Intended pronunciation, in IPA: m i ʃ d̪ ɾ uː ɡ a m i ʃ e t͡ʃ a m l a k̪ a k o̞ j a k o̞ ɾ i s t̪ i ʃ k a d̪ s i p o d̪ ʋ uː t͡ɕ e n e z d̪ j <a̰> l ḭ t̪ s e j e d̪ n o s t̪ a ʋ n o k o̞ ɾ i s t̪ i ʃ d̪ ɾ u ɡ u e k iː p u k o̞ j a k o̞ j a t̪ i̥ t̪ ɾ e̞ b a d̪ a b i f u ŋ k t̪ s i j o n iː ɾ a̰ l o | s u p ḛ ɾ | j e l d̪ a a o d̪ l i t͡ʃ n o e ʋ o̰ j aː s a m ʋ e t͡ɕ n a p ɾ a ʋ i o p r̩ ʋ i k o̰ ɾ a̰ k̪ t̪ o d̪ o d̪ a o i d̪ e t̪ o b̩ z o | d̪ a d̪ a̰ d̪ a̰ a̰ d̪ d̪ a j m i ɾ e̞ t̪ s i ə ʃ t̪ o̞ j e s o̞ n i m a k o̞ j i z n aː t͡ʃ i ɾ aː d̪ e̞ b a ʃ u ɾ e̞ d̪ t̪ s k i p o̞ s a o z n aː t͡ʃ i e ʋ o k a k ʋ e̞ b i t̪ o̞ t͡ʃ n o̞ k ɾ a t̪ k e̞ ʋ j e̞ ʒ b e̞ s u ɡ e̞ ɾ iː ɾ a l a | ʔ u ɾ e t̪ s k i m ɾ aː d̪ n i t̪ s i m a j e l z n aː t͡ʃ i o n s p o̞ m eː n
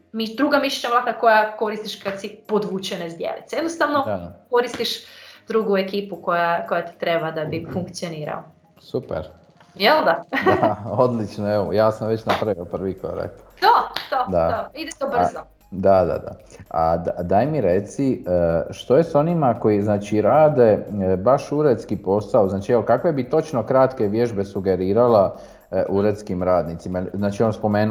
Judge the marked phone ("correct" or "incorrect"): incorrect